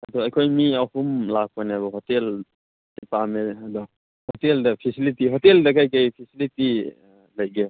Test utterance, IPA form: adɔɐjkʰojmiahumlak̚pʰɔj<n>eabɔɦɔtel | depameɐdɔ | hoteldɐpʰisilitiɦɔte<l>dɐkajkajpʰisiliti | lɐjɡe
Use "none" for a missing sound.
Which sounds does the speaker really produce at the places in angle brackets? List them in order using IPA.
n, l

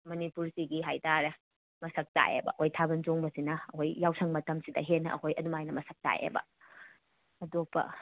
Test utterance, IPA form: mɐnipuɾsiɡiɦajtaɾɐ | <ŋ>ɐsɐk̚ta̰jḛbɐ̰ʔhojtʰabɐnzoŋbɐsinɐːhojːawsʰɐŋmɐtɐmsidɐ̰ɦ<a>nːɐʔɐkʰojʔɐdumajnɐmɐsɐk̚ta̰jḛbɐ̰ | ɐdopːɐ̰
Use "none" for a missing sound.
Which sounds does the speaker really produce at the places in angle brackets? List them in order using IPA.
m, e

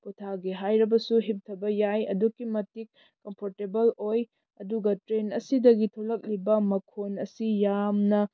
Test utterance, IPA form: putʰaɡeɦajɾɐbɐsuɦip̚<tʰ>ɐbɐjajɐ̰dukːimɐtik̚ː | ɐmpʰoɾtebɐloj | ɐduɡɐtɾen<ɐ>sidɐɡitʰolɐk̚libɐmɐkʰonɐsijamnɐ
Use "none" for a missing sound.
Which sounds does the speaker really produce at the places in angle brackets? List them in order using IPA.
tʰ, ɐ

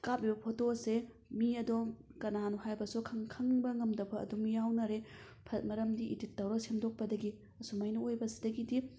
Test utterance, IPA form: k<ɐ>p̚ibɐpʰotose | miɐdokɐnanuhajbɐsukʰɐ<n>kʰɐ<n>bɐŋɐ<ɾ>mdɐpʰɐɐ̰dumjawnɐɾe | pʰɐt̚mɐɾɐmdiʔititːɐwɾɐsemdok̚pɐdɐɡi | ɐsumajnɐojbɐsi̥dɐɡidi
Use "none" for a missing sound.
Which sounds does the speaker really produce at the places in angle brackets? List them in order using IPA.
a, ŋ, ŋ, none

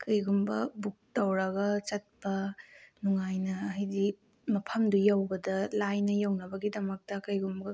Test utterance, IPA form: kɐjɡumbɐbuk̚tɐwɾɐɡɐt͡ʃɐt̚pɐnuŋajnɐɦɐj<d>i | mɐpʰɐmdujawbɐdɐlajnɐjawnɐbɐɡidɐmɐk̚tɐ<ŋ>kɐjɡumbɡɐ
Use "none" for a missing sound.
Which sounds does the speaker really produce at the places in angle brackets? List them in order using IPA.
d, none

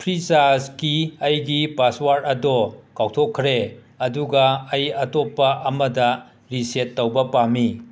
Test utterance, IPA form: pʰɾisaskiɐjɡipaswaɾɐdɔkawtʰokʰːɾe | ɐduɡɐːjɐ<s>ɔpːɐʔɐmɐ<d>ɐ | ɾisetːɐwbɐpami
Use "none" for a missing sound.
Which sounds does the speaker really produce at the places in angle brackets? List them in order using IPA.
t, d

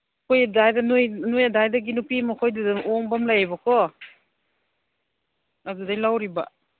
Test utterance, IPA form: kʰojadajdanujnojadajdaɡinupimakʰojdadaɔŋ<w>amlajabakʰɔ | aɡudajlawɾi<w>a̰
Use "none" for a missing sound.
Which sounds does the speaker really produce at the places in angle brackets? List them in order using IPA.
b, b

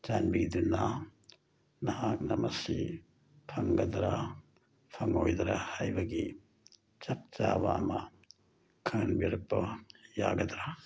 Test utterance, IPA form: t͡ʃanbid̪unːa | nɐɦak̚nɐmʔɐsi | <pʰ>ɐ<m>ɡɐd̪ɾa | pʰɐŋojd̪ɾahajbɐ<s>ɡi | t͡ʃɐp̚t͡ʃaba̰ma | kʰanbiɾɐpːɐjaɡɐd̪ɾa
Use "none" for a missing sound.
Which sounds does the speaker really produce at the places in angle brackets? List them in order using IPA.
pʰ, ŋ, none

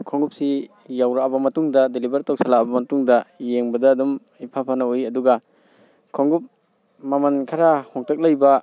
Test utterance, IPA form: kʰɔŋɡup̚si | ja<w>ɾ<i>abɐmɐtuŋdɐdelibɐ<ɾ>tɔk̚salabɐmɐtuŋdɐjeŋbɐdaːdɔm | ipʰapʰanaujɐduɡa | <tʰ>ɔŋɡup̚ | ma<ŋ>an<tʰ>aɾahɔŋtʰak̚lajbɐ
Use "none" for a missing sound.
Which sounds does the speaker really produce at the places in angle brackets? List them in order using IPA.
w, a, ɾ, kʰ, m, kʰ

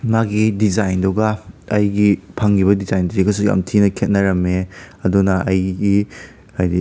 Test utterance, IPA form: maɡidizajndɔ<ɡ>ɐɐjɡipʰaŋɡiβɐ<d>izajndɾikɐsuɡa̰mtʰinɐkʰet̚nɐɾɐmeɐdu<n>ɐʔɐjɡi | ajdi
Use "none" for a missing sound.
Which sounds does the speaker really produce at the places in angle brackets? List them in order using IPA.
ɡ, d, n

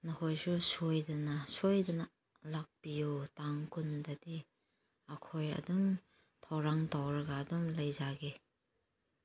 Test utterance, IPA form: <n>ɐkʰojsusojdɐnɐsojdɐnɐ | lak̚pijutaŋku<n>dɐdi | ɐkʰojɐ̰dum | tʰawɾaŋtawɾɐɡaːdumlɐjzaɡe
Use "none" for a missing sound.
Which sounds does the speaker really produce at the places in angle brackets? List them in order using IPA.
n, n

